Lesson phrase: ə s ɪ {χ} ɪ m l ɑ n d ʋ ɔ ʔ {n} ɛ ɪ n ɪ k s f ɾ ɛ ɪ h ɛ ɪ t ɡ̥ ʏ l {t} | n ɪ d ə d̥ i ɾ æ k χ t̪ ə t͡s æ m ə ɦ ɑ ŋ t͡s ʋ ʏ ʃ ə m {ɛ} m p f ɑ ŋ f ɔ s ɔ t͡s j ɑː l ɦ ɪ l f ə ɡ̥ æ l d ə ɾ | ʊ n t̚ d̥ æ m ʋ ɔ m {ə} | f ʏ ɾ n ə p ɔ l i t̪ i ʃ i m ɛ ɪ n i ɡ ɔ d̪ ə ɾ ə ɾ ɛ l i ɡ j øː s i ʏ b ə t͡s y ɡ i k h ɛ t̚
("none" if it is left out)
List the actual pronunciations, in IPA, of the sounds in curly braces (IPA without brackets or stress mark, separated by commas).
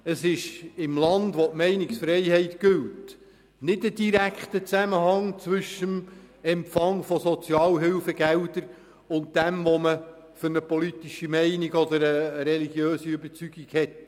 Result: ʃ, m, t, ɛ, ə